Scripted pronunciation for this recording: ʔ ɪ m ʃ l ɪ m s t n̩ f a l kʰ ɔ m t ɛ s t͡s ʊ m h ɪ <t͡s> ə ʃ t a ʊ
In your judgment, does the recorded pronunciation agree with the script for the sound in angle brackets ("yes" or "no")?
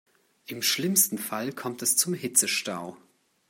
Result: yes